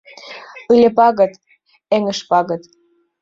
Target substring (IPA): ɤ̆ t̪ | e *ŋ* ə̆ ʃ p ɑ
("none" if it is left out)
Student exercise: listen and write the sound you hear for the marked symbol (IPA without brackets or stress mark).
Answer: ŋ